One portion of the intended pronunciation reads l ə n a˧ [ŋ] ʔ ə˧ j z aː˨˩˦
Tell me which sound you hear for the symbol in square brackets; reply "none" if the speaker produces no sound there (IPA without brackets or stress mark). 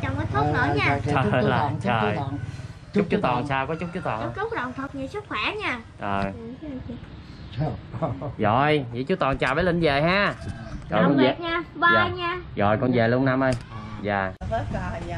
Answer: m